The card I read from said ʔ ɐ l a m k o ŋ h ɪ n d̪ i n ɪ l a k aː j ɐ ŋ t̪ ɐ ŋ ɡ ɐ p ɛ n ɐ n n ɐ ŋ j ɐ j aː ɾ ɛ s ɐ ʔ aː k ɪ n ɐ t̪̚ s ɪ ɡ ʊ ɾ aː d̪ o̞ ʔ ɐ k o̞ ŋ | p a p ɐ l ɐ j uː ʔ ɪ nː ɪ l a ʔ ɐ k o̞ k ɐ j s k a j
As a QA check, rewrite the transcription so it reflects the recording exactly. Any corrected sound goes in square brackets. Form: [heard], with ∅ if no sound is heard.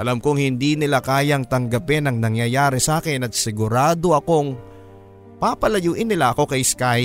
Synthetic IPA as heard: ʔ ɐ l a m k o ŋ h ɪ n d̪ i n ɪ l a k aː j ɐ ŋ t̪ ɐ ŋ ɡ ɐ p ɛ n ɐ [ŋ] n ɐ ŋ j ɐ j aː ɾ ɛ s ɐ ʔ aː k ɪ n ɐ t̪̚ s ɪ ɡ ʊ ɾ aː d̪ o̞ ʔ ɐ k o̞ ŋ | p a p ɐ l ɐ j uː ʔ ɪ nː ɪ l a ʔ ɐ k o̞ k ɐ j s k a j